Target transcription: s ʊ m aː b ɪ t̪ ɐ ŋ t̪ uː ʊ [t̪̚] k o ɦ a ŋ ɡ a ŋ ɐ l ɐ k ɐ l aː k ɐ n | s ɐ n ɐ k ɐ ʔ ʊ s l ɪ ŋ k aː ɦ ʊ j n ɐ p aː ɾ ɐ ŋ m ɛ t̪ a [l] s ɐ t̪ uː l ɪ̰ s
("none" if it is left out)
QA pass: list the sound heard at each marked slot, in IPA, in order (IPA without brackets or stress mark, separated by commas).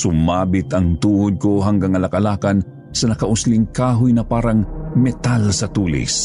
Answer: d̪̚, l